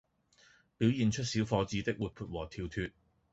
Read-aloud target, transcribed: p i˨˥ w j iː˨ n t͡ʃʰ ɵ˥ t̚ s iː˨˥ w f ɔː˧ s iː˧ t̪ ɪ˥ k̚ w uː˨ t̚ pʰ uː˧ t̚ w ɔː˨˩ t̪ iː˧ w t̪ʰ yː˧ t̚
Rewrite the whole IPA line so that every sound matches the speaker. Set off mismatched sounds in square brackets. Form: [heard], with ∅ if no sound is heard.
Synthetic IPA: p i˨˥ w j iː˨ n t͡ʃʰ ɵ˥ t̚ s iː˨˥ w f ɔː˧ [t͡s] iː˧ t̪ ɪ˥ k̚ w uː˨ t̚ pʰ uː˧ t̚ w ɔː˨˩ [t̪ʰ] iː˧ w t̪ʰ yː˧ t̚